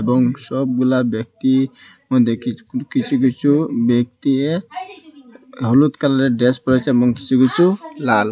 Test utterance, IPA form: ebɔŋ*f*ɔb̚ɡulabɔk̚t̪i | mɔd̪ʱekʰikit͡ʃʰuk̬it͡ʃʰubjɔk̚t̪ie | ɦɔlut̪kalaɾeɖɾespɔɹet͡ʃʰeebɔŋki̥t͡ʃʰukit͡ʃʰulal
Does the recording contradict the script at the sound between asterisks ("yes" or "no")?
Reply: yes